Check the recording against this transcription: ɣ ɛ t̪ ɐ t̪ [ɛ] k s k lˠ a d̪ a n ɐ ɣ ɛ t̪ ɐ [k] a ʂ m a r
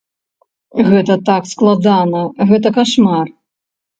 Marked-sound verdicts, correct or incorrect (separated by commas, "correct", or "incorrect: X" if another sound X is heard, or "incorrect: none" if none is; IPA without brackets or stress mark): incorrect: a, correct